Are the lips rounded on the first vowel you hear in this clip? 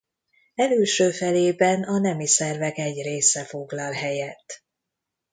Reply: no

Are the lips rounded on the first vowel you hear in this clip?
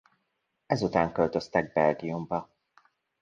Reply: no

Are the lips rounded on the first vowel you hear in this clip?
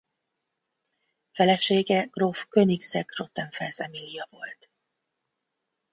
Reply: no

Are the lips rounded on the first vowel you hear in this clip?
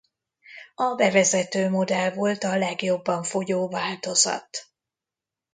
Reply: yes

